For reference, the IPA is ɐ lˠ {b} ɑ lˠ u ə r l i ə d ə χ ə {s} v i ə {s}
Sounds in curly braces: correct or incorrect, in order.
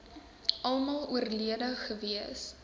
incorrect, incorrect, correct

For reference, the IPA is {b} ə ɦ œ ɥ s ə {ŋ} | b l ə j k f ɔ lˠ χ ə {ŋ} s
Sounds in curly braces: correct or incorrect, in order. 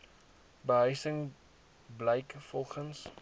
correct, correct, incorrect

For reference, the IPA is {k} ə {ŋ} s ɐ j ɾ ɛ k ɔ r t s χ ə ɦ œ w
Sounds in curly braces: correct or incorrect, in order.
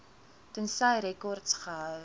incorrect, incorrect

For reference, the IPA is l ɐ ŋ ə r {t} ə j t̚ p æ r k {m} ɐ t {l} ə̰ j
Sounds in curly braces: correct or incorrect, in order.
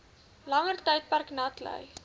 correct, incorrect, correct

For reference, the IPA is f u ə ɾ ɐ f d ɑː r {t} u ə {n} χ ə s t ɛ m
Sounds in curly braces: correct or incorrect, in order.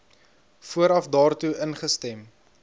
correct, correct

